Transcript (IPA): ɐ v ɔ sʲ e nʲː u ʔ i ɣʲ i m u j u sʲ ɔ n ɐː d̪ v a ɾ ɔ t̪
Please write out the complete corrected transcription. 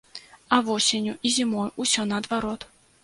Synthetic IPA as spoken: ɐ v ɔ sʲ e nʲ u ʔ i zʲ i m ɔ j u sʲ ɔ n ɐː d̪ v a ɾ ɔ t̪